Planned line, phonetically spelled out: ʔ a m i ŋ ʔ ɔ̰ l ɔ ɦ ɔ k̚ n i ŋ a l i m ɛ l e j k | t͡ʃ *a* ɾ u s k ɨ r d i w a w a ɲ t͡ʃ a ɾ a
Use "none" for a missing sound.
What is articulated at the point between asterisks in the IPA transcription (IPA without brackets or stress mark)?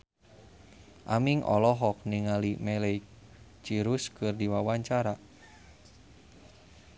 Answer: i